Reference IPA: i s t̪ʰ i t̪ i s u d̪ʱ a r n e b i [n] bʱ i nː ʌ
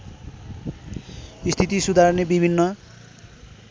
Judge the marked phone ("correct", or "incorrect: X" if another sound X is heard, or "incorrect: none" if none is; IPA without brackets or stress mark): incorrect: none